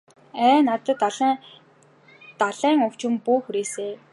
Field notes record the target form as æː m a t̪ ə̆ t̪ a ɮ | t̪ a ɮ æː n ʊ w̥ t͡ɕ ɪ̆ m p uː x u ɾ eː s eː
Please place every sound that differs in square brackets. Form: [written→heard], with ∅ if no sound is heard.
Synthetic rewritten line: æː [m→n] a t̪ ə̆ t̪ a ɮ | t̪ a ɮ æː [n→ŋ] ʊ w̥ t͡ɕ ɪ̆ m p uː x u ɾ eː s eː